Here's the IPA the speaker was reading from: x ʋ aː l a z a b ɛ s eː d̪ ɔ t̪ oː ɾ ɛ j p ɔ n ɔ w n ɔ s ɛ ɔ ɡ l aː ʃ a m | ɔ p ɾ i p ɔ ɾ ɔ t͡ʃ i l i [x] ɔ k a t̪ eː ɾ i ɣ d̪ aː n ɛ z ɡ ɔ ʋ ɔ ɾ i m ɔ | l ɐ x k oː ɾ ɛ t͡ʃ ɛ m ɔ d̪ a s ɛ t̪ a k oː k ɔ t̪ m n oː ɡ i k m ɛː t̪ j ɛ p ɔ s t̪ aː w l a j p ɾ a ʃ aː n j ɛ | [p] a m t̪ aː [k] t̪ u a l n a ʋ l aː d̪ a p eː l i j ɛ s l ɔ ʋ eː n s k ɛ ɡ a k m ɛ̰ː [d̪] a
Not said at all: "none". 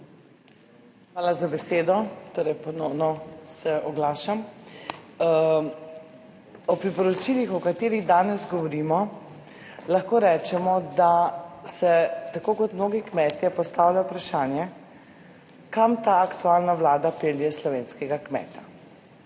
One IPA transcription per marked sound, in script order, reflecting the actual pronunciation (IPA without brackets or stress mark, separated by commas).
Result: x, k, k, t̪